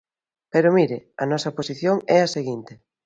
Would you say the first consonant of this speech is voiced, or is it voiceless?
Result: voiceless